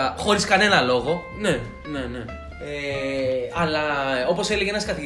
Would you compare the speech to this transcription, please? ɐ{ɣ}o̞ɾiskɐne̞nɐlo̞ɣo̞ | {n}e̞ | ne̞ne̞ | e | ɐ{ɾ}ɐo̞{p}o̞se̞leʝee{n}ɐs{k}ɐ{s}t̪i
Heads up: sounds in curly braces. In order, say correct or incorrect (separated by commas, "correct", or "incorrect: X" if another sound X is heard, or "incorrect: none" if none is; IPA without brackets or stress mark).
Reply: incorrect: x, correct, incorrect: l, correct, correct, correct, incorrect: none